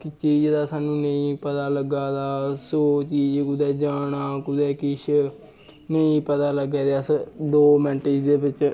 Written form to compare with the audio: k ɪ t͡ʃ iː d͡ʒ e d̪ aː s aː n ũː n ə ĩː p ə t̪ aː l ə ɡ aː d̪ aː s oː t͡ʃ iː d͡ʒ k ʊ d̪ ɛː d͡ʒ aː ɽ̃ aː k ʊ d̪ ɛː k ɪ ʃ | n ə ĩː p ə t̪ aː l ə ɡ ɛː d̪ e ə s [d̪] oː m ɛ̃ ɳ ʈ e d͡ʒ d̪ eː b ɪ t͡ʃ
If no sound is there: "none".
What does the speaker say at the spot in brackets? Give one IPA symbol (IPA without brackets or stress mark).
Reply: d̪